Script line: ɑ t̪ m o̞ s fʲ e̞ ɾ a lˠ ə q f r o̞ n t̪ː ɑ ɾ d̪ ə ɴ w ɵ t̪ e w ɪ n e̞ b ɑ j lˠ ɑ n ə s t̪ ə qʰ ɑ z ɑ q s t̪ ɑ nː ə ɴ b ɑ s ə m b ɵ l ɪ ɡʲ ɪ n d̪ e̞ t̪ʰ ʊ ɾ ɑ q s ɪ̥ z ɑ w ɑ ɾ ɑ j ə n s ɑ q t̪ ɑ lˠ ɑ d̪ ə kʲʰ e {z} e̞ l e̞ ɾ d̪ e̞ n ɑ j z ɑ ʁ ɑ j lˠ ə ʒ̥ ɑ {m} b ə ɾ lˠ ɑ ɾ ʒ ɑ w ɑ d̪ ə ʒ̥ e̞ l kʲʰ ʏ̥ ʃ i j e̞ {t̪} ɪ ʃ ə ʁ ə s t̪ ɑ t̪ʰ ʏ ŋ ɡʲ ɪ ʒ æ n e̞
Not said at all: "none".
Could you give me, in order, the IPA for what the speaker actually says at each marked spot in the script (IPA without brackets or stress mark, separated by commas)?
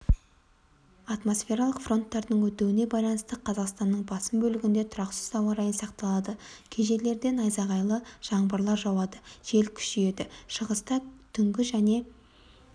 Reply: ʒ, ɴ, d̪